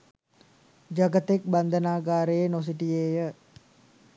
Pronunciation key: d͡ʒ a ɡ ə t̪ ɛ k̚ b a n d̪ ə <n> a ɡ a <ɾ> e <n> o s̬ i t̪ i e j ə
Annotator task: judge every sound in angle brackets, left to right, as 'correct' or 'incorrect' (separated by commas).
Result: correct, correct, correct